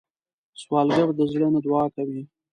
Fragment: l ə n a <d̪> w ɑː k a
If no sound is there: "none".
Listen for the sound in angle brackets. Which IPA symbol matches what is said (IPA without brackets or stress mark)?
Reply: d̪